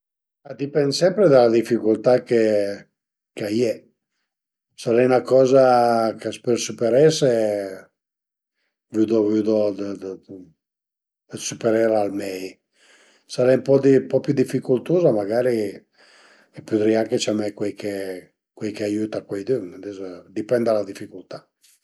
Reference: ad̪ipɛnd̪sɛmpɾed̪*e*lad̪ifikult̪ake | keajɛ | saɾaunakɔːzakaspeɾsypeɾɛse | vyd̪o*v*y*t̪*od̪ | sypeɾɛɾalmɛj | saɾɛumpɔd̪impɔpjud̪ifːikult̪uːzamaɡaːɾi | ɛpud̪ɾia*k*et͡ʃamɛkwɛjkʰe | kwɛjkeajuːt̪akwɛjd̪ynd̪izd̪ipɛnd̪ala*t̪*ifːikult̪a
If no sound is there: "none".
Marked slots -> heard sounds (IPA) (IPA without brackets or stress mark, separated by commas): a, v, d̪, k, d̪